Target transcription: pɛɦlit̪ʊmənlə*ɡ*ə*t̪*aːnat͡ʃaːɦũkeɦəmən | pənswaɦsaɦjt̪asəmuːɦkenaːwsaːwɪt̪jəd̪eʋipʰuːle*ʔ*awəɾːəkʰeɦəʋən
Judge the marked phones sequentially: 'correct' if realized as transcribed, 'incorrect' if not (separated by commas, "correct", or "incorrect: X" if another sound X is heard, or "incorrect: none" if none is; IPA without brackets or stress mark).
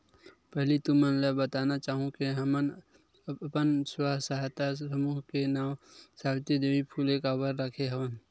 incorrect: b, correct, incorrect: k